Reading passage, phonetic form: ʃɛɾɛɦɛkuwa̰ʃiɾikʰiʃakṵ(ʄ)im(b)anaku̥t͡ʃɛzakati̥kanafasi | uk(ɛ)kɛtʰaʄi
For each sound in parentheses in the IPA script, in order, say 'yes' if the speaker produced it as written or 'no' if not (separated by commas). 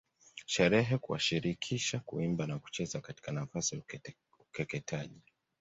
no, yes, yes